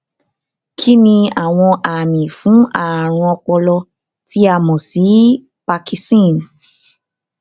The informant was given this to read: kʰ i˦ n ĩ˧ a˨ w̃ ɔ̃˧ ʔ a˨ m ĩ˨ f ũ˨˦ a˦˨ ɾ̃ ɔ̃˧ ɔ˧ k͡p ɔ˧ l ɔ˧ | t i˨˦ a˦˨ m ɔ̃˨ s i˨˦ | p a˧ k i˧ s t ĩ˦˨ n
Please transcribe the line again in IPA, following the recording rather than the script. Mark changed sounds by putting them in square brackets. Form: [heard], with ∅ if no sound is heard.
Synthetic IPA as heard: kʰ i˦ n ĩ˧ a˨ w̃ ɔ̃˧ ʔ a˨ m ĩ˨ f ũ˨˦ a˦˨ ɾ̃ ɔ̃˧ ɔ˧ k͡p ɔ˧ l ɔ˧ | t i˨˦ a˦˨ m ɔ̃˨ s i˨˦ | p a˧ k i˧ s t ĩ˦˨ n

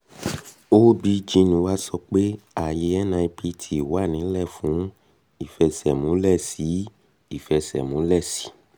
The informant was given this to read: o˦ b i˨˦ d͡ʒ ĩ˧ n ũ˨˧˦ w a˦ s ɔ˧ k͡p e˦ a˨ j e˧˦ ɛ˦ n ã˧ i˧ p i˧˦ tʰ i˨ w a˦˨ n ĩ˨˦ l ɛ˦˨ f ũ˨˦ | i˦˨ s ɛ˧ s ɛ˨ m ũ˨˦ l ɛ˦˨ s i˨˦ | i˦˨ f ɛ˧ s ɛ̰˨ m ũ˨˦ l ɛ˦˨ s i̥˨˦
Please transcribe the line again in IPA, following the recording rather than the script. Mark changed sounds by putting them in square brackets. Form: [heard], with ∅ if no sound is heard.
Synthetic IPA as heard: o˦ b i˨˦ d͡ʒ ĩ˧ n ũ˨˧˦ w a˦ s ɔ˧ k͡p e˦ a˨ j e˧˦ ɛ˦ n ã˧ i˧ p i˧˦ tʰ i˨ w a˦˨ n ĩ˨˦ l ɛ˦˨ f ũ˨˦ | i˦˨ [f] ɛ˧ s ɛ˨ m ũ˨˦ l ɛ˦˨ s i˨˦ | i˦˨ f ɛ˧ s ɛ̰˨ m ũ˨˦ l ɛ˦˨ s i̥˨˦

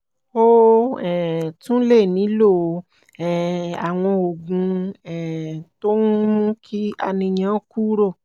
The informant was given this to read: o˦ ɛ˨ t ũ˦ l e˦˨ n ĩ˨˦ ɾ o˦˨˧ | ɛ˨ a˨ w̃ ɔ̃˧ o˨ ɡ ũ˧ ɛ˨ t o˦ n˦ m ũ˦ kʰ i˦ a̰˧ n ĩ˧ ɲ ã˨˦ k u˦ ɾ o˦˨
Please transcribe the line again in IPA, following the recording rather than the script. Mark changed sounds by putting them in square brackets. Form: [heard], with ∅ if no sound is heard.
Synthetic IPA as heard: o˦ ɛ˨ t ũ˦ l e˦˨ n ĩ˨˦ [l] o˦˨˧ | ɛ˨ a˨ w̃ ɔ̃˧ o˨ ɡ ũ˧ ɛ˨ t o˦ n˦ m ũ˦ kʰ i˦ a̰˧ n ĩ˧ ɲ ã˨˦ k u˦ ɾ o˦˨

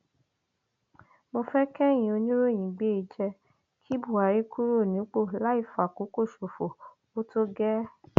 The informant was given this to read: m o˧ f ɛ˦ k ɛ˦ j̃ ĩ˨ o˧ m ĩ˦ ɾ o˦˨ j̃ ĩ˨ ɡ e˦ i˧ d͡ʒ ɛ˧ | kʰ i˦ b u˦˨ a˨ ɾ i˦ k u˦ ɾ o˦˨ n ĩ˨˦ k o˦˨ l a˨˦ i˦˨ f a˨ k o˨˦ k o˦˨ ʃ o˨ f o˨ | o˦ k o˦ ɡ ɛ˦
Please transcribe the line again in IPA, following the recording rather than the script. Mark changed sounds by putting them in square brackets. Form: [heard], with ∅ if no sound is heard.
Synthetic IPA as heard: m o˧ f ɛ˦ k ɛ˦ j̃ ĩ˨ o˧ [n] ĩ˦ ɾ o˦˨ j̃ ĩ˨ [ɡ͡b] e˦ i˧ d͡ʒ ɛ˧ | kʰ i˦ b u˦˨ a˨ ɾ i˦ k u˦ ɾ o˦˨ n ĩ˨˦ [k͡p] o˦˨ l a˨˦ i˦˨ f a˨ k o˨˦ k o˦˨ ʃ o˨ f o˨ | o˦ [t] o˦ ɡ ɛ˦

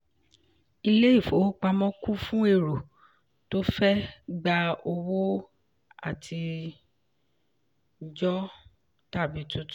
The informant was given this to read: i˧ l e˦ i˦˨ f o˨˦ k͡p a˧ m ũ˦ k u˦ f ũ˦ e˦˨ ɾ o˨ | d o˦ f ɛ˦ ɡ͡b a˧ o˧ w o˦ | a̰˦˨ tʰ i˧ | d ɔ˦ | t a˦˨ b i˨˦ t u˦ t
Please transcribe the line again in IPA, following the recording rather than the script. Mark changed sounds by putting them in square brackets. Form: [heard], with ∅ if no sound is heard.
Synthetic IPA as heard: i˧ l e˦ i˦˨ f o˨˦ k͡p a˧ m [ɔ̃˦] k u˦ f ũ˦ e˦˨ ɾ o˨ | [t] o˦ f ɛ˦ ɡ͡b a˧ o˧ w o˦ | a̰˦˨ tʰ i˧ | [d͡ʒ] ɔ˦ | t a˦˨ b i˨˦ t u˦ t

